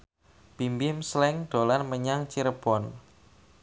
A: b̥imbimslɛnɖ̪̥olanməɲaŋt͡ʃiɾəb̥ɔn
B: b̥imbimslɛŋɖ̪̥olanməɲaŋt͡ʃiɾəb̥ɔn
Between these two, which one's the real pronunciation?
B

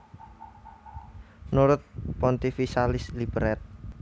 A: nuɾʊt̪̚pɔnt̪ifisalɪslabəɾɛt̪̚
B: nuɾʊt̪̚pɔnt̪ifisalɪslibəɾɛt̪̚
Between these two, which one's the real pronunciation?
B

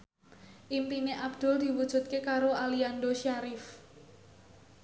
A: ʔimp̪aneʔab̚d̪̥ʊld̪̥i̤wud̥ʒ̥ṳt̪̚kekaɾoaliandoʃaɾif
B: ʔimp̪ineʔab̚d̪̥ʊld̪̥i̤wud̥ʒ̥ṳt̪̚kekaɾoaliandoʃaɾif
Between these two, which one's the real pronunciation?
B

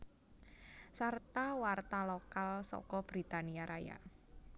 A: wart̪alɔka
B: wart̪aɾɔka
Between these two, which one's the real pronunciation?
A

